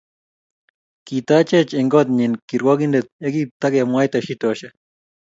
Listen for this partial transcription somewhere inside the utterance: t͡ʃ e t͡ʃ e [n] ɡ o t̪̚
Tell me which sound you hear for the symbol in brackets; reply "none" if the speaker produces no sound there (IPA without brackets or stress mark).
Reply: ŋ